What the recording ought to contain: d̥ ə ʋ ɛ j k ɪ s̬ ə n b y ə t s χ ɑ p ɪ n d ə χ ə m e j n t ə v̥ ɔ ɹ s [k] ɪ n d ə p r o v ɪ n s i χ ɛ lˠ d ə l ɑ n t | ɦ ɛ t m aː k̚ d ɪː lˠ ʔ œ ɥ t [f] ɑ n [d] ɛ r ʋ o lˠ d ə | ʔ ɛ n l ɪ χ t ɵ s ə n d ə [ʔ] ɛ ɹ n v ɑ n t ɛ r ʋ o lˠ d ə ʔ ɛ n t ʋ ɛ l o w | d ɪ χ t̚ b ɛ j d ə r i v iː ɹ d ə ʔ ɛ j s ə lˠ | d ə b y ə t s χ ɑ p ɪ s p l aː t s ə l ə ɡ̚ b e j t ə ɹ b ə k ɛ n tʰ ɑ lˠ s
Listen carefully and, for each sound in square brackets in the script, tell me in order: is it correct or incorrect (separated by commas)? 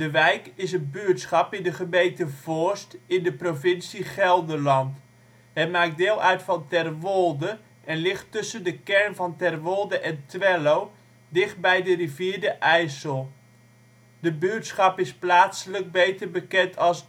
incorrect, correct, incorrect, incorrect